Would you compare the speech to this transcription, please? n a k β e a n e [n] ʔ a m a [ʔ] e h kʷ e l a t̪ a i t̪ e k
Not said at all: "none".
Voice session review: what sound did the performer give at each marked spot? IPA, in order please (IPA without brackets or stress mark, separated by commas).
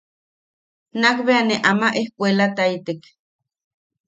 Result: none, ʔ